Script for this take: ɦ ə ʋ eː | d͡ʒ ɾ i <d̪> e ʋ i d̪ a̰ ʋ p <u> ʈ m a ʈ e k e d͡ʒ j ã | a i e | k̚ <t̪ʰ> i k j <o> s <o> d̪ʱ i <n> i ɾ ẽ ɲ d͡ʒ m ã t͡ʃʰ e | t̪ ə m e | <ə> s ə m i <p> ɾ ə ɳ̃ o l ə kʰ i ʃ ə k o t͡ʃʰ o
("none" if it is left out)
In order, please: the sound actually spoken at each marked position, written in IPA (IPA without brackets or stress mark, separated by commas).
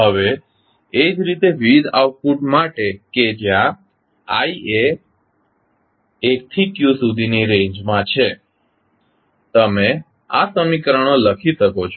t̪, u, t̪ʰ, u, u, n, a, k